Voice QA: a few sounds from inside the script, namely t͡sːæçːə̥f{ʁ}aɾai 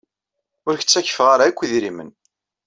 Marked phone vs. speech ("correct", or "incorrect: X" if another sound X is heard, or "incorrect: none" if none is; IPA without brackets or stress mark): correct